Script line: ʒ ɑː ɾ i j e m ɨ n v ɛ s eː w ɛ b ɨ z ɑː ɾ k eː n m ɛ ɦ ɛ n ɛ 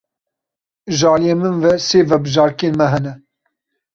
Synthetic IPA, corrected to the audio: ʒ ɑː l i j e m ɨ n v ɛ s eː v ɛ b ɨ ʒ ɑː ɾ k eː n m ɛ ɦ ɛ n ɛ